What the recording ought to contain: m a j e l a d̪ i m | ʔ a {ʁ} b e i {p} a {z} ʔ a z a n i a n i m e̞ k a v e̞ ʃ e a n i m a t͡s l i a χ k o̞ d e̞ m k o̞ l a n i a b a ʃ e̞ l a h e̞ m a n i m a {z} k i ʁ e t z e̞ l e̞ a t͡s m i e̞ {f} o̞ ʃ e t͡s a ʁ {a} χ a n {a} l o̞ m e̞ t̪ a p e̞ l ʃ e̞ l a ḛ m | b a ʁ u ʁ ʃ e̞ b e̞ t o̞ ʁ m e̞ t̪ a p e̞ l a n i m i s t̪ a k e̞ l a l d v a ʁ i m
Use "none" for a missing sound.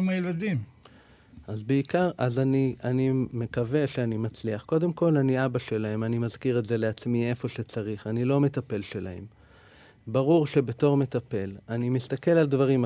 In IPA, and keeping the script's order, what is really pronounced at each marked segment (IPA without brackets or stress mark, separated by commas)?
z, k, ʁ, z, f, i, i